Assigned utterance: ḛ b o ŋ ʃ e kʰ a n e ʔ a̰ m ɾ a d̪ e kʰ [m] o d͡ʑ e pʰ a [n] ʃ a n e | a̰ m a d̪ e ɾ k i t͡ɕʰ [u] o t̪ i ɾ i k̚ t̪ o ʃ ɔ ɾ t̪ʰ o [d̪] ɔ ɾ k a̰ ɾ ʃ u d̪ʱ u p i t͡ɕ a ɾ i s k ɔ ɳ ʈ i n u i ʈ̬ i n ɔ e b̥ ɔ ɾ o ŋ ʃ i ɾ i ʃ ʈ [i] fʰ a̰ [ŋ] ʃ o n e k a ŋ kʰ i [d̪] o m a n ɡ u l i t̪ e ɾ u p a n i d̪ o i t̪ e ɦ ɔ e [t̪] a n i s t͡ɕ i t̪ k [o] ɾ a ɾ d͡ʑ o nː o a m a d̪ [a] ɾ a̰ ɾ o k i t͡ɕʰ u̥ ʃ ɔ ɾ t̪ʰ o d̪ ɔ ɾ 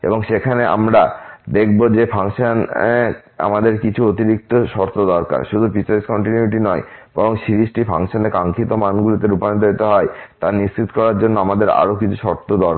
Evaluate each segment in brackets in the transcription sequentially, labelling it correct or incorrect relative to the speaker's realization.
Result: incorrect: b, incorrect: ŋ, correct, correct, correct, correct, incorrect: t̪, correct, incorrect: ɔ, incorrect: e

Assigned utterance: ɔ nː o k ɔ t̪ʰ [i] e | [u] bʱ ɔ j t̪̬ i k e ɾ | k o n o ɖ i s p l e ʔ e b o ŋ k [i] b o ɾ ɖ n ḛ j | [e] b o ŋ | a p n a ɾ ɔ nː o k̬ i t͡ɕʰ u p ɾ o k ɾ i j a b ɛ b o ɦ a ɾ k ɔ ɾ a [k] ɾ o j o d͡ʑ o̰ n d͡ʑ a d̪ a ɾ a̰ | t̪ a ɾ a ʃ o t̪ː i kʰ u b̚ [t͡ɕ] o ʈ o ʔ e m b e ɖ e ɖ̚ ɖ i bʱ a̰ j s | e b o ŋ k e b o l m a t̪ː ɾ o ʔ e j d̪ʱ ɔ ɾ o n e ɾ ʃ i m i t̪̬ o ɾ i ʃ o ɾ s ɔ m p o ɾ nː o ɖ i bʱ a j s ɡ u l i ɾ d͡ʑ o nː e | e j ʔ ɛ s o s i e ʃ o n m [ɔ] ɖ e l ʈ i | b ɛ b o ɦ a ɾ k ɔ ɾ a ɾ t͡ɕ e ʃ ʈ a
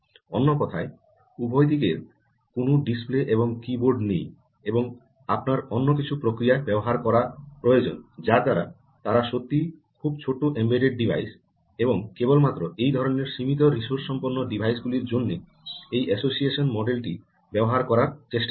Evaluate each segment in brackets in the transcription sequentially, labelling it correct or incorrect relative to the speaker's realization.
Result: incorrect: a, correct, correct, correct, incorrect: p, incorrect: t͡ɕʰ, correct

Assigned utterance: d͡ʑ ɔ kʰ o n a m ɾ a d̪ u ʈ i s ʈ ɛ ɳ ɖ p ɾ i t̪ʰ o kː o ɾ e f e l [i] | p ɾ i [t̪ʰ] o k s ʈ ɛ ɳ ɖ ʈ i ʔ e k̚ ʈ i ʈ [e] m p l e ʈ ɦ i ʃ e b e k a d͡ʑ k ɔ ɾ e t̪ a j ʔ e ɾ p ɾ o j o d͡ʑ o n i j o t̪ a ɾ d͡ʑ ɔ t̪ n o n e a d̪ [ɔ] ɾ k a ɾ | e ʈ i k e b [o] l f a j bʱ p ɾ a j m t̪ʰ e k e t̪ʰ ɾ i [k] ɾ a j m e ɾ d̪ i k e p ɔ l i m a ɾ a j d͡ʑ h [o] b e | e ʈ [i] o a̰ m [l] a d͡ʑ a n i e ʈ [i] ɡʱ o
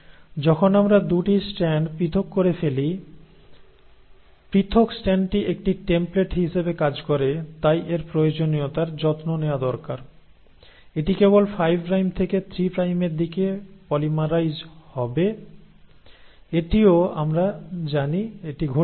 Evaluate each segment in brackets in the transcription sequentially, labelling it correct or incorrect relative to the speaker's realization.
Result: correct, correct, correct, correct, correct, incorrect: p, incorrect: ɔ, correct, incorrect: ɾ, correct

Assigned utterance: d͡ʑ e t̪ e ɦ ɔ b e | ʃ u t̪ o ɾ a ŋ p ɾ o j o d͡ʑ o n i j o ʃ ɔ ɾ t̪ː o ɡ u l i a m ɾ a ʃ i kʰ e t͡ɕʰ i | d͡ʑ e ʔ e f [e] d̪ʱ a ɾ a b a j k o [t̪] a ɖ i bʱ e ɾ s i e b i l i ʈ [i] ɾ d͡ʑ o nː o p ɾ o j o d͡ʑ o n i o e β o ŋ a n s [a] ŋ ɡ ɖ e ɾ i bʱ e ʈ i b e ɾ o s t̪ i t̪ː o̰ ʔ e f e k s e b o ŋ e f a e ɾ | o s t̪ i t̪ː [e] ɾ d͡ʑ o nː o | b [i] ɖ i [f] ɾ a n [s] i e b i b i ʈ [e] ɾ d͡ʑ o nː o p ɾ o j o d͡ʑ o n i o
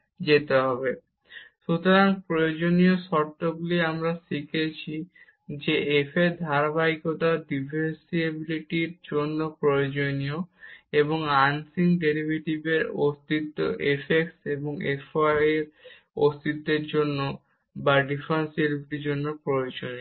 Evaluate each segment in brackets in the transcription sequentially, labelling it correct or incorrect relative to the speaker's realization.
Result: correct, correct, correct, incorrect: i, correct, incorrect: a, correct, correct, incorrect: i

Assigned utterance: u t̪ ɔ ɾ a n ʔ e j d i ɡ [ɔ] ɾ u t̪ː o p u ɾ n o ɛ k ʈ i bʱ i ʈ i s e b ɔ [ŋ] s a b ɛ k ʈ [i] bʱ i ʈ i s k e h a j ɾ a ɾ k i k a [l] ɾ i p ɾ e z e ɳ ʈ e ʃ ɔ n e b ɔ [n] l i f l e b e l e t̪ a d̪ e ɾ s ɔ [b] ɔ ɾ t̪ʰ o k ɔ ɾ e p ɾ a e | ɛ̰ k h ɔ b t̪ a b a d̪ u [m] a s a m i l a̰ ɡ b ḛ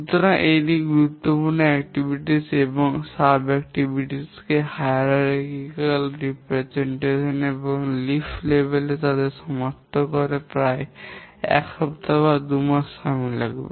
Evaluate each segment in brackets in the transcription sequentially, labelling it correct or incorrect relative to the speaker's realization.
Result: incorrect: u, correct, correct, correct, incorrect: ŋ, incorrect: m, correct

